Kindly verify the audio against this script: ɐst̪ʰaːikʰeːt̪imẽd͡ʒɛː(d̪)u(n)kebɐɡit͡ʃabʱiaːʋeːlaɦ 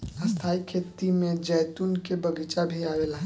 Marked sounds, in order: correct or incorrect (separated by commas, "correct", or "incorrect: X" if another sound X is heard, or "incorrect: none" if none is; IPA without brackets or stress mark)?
incorrect: t̪, correct